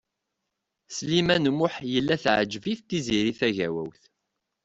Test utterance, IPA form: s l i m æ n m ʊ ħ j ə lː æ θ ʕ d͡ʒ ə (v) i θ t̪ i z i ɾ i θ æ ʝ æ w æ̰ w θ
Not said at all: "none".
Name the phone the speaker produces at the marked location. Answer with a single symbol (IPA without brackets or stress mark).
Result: v